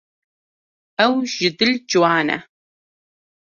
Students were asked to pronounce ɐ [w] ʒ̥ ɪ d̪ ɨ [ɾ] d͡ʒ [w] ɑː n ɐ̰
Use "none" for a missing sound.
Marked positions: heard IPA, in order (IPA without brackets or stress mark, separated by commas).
w, l, w